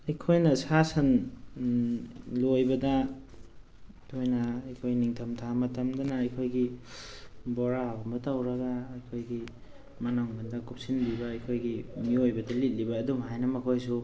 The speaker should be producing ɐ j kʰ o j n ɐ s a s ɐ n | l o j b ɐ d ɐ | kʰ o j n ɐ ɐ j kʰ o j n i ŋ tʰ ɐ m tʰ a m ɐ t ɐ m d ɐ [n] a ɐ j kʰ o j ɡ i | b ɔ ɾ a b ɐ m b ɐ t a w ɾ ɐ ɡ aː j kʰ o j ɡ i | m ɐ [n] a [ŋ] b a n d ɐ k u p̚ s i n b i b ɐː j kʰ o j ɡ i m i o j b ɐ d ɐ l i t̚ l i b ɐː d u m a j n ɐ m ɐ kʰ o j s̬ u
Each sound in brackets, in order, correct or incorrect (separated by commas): correct, correct, correct